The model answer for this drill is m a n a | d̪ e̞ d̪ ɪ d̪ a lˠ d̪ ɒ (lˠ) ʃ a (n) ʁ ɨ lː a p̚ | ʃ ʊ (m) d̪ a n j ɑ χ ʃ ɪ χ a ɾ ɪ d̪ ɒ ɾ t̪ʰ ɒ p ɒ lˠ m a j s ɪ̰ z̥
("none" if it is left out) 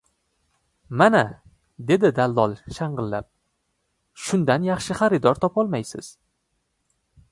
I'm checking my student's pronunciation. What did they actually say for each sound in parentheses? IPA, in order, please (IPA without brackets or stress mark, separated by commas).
lˠ, ɴ, n